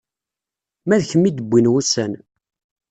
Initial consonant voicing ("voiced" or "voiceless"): voiced